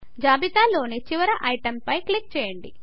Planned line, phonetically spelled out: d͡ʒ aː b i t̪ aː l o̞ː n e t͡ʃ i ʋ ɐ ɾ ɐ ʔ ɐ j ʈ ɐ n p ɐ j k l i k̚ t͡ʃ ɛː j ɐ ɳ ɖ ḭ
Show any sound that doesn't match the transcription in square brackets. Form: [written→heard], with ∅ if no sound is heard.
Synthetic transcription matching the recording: d͡ʒ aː b i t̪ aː l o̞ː n [e→i] t͡ʃ i ʋ ɐ ɾ ɐ ʔ ɐ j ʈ ɐ [n→m] p ɐ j k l i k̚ t͡ʃ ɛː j ɐ ɳ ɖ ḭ